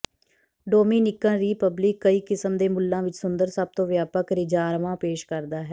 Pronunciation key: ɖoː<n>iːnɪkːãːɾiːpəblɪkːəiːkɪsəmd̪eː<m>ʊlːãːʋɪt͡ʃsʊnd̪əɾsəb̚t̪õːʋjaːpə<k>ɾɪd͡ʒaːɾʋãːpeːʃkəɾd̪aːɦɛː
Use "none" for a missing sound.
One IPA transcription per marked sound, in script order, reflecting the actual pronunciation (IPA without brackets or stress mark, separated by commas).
m, m, k